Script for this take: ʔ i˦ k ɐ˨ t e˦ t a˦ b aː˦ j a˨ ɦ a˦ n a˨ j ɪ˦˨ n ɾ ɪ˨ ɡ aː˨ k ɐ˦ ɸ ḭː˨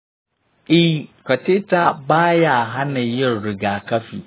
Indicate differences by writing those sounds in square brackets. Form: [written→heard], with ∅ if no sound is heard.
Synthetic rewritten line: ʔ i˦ k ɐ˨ t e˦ t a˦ b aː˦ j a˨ ɦ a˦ n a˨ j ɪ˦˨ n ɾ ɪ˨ ɡ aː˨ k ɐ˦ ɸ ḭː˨